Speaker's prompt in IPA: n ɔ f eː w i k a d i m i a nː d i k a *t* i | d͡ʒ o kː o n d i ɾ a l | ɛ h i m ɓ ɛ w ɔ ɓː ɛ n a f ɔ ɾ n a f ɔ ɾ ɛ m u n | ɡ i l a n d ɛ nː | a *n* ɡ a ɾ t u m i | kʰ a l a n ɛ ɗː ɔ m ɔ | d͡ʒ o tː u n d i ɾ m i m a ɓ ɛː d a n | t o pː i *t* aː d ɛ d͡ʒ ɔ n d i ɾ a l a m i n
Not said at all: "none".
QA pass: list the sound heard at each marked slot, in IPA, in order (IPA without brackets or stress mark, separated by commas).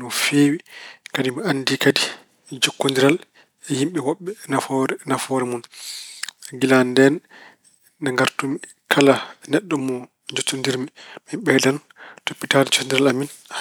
d, ŋ, t